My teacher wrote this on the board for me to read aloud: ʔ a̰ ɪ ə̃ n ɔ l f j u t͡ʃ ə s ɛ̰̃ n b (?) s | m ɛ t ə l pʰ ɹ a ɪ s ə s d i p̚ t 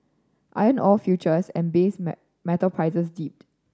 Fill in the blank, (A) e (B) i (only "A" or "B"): A